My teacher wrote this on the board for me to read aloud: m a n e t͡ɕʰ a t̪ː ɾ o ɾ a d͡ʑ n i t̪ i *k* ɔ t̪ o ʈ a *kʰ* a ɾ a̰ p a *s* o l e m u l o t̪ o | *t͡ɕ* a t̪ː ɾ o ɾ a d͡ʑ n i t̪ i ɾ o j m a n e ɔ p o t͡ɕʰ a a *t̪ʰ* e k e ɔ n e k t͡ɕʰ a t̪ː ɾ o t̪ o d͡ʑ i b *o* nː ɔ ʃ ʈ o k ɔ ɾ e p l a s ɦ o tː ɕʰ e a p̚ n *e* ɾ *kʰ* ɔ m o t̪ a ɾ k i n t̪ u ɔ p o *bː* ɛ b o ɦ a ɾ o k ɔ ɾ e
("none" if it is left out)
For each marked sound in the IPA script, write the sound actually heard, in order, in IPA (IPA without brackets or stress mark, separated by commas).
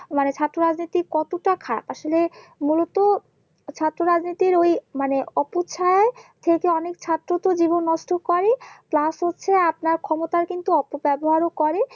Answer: k, kʰ, ʃ, t͡ɕʰ, t̪ʰ, o, a, kʰ, b